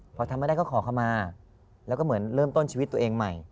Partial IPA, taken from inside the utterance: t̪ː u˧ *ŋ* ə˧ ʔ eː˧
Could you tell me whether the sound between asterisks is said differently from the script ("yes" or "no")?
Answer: yes